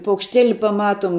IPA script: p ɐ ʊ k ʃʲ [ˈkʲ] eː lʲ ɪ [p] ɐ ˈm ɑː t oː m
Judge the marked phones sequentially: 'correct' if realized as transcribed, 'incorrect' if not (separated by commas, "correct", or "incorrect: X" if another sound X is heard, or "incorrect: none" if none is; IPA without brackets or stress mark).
incorrect: tʲ, correct